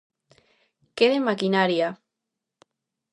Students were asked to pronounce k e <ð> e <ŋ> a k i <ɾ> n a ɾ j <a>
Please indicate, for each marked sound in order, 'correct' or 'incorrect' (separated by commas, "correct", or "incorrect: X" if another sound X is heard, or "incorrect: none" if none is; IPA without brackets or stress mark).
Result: correct, incorrect: m, incorrect: none, correct